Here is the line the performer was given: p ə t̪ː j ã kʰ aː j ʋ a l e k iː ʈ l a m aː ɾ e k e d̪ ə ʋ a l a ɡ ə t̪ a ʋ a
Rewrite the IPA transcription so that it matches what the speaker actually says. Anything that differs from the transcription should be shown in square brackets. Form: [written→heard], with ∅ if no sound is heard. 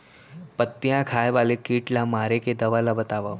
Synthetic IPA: p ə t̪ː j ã kʰ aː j ʋ a l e k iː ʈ l a m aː ɾ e k e d̪ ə ʋ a l a [ɡ→b] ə t̪ a ʋ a